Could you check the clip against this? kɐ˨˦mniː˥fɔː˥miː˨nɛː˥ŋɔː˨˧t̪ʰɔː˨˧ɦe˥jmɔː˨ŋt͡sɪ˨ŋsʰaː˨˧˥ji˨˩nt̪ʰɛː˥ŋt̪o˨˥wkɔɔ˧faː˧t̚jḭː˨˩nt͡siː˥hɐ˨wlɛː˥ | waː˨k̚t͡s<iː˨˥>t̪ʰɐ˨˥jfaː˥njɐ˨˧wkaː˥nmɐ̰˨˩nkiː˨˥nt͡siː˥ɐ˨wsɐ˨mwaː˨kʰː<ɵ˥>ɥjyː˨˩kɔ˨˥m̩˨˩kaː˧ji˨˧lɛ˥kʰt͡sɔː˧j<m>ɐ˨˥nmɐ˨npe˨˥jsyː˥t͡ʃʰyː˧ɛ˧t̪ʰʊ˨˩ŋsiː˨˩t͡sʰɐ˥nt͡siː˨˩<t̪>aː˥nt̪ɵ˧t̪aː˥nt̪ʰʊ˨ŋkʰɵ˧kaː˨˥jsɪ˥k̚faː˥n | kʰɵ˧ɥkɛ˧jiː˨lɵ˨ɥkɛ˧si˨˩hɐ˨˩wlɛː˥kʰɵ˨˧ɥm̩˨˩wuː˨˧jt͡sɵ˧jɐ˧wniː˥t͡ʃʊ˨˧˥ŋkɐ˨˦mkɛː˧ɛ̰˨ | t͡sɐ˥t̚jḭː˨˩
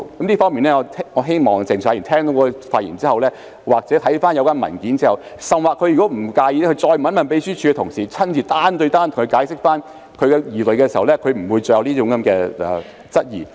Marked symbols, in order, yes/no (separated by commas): no, no, yes, yes